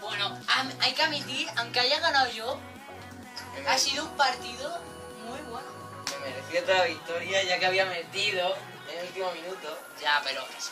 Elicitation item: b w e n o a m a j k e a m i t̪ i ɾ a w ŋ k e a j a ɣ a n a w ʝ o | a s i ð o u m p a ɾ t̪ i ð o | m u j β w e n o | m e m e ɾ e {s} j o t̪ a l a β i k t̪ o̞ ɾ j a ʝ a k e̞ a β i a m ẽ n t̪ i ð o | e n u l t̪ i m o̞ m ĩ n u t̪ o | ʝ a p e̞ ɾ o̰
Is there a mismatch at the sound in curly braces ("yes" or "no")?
yes